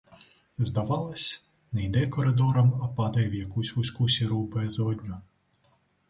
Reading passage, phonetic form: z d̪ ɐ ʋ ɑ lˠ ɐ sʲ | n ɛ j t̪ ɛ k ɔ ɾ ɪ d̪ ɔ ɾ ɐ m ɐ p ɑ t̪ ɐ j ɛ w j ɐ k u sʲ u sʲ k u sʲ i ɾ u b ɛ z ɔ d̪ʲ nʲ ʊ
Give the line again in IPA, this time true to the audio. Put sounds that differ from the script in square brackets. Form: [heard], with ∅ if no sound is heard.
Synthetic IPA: z d̪ ɐ ʋ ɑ lˠ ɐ sʲ | n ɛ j [d̪] ɛ k ɔ ɾ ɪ d̪ ɔ ɾ ɐ m ɐ p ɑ [d̪] ɐ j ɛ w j ɐ k u sʲ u sʲ k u sʲ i ɾ u b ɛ z ɔ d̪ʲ nʲ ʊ